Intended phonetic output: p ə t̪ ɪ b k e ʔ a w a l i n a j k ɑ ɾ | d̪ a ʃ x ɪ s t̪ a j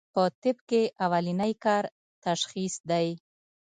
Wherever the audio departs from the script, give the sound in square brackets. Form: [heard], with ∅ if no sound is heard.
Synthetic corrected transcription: p ə t̪ ɪ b k e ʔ a w a l i n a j k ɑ ɾ | [t̪] a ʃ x [i] s [d̪] a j